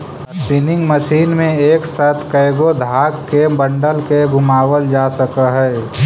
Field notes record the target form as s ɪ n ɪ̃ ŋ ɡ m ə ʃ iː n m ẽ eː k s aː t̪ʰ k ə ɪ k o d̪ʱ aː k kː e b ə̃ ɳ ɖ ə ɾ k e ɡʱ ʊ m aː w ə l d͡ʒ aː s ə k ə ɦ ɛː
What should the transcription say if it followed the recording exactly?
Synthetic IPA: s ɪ n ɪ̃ ŋ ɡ m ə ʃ iː n m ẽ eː k s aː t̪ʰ k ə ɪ ɡ o d̪ʱ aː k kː e b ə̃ ɳ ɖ ə l k e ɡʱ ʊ m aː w ə l d͡ʒ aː s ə k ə ɦ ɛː